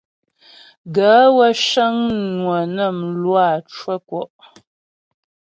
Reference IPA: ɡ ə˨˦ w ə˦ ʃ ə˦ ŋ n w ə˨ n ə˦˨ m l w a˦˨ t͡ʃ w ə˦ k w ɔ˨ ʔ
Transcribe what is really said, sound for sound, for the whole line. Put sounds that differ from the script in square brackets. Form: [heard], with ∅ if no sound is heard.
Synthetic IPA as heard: ɡ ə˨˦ w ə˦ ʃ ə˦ ŋ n w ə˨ n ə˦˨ m l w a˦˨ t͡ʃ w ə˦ k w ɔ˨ ʔ